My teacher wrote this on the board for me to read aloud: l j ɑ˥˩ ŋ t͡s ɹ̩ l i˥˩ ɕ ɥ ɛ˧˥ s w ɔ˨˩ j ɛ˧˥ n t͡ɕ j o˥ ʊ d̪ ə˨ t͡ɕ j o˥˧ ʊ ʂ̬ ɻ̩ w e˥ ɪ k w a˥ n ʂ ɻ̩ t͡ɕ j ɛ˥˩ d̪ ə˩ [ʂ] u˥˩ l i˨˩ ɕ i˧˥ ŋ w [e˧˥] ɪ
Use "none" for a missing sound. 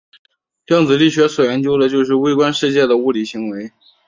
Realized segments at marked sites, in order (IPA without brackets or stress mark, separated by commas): none, e˧˥